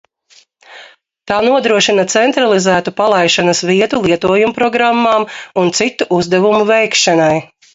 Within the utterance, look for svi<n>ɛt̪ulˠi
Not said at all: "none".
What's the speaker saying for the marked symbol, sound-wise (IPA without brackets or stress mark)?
none